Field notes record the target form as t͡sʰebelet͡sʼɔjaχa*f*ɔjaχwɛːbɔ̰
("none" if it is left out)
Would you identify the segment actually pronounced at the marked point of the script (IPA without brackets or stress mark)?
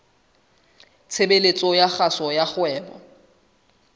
s